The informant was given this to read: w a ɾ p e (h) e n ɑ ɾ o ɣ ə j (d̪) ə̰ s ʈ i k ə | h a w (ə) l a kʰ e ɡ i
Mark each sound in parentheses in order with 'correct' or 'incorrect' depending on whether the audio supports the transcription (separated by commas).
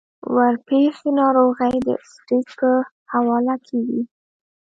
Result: incorrect, correct, incorrect